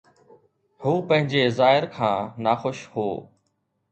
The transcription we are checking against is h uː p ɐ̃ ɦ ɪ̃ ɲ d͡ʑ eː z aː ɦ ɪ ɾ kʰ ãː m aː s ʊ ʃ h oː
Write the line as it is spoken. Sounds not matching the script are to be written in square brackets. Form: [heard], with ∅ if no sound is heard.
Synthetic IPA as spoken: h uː p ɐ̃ ɦ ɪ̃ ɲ d͡ʑ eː z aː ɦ ɪ ɾ kʰ ãː [n] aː [x] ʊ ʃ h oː